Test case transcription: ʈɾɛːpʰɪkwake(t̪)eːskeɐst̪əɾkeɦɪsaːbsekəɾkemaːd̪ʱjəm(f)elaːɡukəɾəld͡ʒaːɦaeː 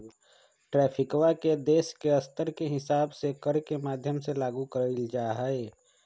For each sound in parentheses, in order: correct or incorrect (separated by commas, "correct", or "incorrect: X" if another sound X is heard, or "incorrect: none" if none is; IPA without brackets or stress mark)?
incorrect: d̪, incorrect: s